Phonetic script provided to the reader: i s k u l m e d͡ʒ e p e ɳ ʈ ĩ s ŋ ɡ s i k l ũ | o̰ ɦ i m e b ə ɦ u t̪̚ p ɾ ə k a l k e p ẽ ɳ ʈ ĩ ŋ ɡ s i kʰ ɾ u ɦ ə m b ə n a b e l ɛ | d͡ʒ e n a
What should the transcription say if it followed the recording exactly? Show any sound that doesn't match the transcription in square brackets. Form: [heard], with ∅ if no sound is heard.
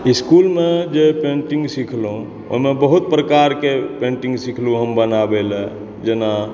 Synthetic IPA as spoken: i s k u l m e d͡ʒ e p e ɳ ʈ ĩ [∅] ŋ ɡ s i [kʰ] l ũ | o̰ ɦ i m e b ə ɦ u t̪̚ p ɾ ə k a [ɾ] k e p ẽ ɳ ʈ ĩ ŋ ɡ s i kʰ [l] u ɦ ə m b ə n a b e l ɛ | d͡ʒ e n a